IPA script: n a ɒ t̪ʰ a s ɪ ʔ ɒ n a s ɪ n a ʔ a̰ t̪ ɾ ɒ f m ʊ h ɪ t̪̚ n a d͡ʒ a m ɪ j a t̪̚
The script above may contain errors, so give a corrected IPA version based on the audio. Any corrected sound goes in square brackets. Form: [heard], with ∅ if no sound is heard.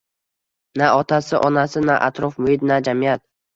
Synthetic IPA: n a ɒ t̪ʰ a s ɪ ʔ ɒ n a s ɪ n a ʔ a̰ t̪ ɾ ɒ f m ʊ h ɪ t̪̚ n a d͡ʒ a m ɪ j a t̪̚